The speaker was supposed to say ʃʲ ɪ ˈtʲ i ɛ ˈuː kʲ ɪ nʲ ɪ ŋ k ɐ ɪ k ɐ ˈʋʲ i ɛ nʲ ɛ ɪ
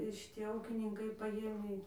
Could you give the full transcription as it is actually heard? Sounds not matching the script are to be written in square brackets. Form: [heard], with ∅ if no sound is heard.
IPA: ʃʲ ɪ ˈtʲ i ɛ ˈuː kʲ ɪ nʲ ɪ ŋ k ɐ ɪ [p] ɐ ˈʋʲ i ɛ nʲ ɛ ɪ